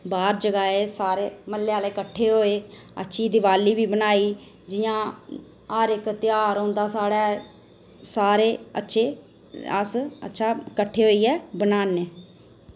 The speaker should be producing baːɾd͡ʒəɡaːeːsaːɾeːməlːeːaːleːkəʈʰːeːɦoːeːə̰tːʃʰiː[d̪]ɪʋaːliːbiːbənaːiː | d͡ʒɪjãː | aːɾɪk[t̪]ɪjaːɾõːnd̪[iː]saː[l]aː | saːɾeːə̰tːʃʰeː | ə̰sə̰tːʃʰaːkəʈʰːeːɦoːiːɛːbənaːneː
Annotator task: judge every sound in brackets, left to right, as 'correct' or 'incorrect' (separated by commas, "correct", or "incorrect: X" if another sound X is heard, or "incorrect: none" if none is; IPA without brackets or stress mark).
correct, correct, incorrect: aː, incorrect: ɽ